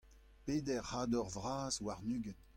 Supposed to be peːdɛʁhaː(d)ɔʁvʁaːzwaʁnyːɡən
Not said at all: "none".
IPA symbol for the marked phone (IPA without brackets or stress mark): d